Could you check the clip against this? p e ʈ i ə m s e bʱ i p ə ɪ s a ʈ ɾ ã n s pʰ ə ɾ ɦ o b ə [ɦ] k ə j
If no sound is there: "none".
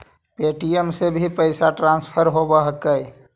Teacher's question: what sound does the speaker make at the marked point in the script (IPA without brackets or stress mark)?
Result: ɦ